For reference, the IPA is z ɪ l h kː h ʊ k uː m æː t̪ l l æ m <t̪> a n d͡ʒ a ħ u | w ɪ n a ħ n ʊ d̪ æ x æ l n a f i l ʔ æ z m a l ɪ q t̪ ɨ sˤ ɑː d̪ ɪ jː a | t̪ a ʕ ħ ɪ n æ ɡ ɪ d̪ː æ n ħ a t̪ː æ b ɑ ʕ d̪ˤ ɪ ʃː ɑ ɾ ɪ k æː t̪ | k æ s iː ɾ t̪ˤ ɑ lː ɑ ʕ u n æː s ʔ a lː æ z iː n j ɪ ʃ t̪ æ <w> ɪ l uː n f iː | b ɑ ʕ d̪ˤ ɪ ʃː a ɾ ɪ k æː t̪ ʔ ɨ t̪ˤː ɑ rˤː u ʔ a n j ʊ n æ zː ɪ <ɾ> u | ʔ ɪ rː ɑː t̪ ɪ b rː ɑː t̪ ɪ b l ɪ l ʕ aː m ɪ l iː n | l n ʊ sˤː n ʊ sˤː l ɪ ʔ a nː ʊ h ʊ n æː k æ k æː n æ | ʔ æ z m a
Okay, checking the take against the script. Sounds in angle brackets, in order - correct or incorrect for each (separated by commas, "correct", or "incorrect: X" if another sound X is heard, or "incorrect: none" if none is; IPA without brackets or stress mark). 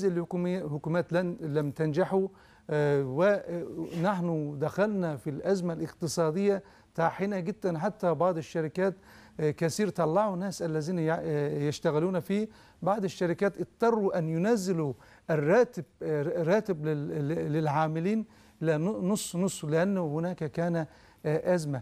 correct, incorrect: ɣ, incorrect: l